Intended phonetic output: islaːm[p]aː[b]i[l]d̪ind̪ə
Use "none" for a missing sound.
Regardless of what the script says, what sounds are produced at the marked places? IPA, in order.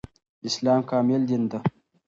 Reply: k, m, l

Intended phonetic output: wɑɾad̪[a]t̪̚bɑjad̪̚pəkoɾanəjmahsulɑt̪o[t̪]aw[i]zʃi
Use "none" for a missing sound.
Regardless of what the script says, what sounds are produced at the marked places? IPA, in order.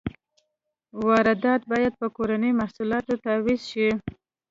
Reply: ɑ, t̪, i

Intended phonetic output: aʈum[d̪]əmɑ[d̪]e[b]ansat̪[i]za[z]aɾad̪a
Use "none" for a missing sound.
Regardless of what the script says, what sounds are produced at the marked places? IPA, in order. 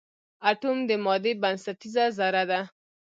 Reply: d̪, d̪, b, i, z

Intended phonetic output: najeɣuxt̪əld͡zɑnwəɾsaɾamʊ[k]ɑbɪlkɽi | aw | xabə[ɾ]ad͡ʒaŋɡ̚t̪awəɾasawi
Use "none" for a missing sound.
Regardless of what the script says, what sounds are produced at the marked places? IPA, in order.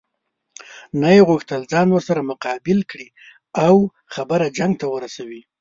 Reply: q, ɾ

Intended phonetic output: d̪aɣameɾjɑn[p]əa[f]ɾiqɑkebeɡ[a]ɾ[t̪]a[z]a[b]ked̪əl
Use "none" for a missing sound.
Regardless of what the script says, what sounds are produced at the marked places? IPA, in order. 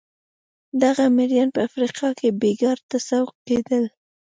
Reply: p, f, ɑ, t̪, s, w

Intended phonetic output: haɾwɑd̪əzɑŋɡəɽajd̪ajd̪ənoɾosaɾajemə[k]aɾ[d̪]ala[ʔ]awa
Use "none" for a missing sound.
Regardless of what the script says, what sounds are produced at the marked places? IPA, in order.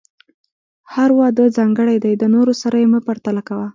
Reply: p, t̪, k

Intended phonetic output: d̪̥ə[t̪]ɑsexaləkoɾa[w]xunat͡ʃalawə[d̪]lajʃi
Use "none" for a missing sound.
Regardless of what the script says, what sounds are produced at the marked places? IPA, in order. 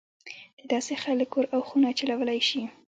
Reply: d̪, w, none

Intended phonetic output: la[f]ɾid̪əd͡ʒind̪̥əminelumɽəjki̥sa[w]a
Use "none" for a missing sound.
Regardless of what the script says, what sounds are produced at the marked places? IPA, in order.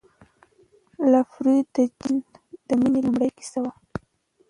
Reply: f, w

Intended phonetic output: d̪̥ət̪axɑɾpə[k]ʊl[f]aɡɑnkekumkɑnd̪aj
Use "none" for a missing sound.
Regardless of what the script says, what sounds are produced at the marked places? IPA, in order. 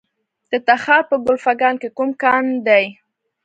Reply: ɡ, f

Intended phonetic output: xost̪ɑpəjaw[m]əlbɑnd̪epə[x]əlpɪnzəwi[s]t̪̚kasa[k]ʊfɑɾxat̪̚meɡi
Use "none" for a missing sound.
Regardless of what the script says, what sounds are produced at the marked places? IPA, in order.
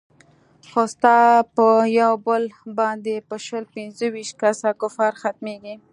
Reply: b, ʃ, ʃ, k

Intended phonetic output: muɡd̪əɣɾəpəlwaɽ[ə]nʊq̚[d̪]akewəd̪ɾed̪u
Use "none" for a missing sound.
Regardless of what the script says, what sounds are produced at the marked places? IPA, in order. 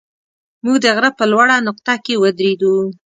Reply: a, t̪

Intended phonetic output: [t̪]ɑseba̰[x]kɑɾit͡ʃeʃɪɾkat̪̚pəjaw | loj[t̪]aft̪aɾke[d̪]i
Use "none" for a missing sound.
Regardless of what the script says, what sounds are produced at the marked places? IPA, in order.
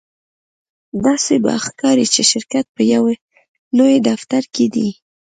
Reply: d̪, x, d̪, d̪

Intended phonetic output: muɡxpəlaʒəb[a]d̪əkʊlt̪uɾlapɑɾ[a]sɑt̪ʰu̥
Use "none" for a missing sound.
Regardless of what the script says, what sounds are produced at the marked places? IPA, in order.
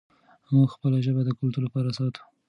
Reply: a, a

